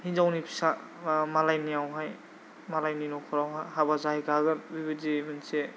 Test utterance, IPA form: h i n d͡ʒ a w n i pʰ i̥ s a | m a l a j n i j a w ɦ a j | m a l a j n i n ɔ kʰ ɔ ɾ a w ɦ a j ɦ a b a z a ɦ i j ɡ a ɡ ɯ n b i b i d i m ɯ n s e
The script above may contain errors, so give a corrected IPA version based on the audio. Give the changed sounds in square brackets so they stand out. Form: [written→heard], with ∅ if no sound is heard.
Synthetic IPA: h i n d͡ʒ a w n i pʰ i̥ s a | m a l a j n i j a w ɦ a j | m a l a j n i n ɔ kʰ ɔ ɾ a w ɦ a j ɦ a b a z a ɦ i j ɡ a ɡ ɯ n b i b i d i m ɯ n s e